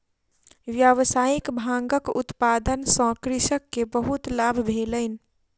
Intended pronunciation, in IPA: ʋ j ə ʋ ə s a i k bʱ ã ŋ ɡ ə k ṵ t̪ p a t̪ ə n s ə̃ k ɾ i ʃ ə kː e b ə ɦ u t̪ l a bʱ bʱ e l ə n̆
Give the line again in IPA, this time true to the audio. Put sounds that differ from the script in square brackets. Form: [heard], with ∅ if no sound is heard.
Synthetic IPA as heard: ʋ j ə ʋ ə s a i k bʱ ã ŋ ɡ ə k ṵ t̪ p a [d̪] ə n s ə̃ k ɾ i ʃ ə kː e b ə ɦ u t̪ l a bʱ bʱ e l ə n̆